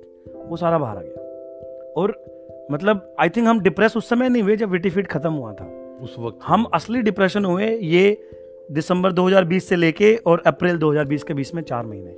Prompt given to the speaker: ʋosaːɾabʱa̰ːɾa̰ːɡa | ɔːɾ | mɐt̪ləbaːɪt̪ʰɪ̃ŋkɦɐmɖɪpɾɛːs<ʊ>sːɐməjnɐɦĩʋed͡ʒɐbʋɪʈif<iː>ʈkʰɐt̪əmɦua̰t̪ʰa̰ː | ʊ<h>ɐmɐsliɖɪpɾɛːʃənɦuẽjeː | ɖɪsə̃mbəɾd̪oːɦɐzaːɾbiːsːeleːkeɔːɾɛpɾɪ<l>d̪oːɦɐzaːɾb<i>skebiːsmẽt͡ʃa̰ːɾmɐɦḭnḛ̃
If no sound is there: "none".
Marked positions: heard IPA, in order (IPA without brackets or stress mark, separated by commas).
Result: ʊ, iː, h, l, iː